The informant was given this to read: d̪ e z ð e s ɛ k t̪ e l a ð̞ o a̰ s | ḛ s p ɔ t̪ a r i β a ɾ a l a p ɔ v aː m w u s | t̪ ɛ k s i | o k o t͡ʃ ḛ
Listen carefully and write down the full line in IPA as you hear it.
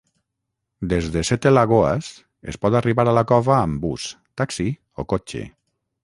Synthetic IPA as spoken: d̪ e z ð e s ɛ t̪ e l a ɣ̞ o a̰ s | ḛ s p ɔ t̪ a r i β a ɾ a l a k ɔ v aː m b u s | t̪ a k s i | o k o t͡ʃ ḛ